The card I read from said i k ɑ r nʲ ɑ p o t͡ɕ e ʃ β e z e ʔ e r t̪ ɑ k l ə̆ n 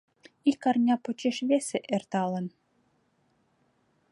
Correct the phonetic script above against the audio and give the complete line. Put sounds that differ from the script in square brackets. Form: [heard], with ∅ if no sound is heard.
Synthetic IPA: i k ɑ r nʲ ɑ p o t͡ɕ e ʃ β e [s] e ʔ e r t̪ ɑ [∅] l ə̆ n